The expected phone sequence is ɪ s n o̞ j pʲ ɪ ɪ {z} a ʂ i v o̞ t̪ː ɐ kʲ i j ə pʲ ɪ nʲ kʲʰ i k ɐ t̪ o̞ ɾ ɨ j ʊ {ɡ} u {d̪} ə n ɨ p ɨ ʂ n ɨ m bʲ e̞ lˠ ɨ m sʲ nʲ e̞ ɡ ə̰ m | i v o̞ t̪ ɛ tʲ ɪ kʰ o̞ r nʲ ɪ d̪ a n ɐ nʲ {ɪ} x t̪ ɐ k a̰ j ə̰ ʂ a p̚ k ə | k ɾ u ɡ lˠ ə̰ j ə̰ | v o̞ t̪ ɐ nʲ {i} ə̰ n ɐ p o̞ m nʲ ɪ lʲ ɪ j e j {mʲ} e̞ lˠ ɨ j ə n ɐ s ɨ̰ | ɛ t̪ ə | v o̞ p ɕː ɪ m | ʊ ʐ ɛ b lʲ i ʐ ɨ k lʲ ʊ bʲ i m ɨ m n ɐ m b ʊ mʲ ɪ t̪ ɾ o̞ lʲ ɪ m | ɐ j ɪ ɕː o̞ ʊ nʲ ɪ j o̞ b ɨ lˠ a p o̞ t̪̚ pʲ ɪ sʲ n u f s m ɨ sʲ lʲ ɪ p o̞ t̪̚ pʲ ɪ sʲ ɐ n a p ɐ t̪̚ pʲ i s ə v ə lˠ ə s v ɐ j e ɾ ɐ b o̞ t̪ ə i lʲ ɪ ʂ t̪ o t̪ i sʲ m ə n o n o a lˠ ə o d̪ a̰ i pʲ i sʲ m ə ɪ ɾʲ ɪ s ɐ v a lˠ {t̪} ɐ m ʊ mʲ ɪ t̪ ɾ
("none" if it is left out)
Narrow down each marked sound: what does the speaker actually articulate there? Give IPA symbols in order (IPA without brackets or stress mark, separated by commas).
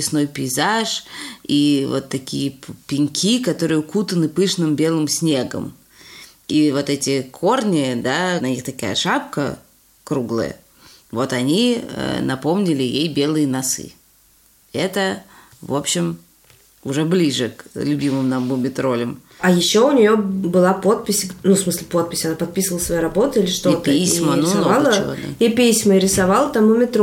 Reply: z, k, t̪, i, i, bʲ, t̪